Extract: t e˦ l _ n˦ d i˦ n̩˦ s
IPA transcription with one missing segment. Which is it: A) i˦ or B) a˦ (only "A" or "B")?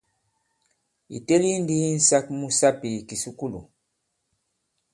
A